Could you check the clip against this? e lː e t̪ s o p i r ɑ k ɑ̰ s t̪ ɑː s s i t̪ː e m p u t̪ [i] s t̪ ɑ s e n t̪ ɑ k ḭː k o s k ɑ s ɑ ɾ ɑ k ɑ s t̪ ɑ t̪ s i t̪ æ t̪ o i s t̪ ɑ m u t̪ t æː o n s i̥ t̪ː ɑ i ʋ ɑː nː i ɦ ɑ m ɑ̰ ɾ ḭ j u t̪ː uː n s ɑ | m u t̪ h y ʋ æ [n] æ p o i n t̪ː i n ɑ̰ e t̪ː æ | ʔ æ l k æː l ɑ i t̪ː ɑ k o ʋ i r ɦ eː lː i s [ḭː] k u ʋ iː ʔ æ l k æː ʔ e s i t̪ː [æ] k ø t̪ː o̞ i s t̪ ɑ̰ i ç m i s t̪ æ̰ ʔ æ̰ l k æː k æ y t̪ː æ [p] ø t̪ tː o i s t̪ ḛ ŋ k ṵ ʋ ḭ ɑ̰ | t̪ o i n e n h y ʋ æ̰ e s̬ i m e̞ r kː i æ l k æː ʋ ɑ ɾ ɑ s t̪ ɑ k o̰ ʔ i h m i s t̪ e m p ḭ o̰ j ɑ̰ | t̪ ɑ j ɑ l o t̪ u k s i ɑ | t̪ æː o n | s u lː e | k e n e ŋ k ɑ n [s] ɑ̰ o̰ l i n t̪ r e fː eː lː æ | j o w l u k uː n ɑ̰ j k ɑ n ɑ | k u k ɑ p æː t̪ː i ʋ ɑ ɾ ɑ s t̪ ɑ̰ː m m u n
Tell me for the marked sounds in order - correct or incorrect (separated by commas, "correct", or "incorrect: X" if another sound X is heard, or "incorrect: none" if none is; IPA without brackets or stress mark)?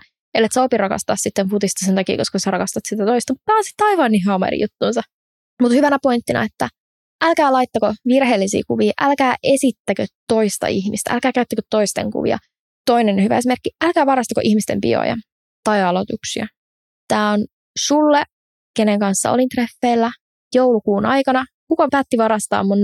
correct, correct, correct, correct, incorrect: k, incorrect: sː